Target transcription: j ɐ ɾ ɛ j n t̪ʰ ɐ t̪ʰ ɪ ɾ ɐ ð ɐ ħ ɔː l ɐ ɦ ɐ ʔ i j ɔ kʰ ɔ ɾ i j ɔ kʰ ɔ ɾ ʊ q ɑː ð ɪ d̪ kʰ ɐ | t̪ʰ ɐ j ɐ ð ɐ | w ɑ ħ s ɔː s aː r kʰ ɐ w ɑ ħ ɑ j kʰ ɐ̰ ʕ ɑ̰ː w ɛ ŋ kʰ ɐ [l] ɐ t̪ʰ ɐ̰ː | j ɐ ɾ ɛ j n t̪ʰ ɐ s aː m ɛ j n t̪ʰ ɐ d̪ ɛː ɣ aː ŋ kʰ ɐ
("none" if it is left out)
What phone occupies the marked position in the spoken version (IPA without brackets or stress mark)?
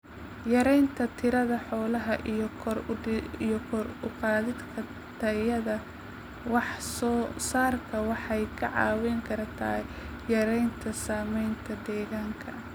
ɾ